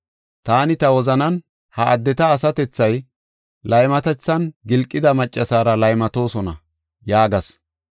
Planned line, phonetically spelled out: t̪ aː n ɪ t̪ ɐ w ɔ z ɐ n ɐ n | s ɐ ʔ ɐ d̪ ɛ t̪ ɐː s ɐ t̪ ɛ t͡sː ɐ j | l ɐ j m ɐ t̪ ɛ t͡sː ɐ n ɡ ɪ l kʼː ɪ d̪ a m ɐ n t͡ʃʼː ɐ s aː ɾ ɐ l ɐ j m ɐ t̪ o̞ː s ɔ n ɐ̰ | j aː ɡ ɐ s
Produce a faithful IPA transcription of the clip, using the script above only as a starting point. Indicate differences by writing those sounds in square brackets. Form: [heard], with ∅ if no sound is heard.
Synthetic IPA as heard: t̪ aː n ɪ t̪ ɐ w ɔ z ɐ n ɐ n | [h] ɐ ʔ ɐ [d̪ː] ɛ t̪ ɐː s ɐ t̪ ɛ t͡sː ɐ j | l ɐ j m ɐ t̪ ɛ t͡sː ɐ n ɡ ɪ l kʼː ɪ d̪ [ɐ] m ɐ [∅] t͡ʃʼː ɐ s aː ɾ ɐ l ɐ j m ɐ t̪ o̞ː s ɔ n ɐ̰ | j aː ɡ ɐ s